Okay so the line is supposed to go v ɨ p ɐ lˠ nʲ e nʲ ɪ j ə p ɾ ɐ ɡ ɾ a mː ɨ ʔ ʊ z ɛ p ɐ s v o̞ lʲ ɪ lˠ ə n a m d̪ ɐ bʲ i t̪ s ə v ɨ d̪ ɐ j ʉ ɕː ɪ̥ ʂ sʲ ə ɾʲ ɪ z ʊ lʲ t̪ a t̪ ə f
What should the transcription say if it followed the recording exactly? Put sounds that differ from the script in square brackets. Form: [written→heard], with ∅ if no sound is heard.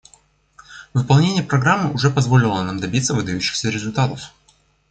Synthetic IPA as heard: v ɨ p ɐ lˠ nʲ e nʲ ɪ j ə p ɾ ɐ ɡ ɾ a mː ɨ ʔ ʊ [z→ʐ] ɛ p ɐ [s→z] v o̞ lʲ ɪ lˠ ə n a m d̪ ɐ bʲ i t̪ s ə v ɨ d̪ ɐ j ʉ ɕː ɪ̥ [ʂ→x] sʲ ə ɾʲ ɪ z ʊ lʲ t̪ a t̪ ə f